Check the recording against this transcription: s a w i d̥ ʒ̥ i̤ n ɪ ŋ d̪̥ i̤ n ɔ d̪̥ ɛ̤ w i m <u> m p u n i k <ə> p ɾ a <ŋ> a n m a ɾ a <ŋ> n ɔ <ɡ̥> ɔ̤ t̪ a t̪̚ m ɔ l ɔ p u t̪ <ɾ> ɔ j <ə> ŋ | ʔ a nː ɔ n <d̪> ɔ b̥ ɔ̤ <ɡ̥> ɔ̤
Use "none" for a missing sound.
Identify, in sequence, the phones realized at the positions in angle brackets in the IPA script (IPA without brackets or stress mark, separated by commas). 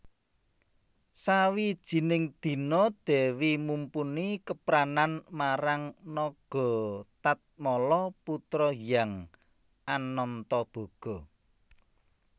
u, ə, n, ŋ, ɡ̥, ɾ, a, t̪, ɡ̥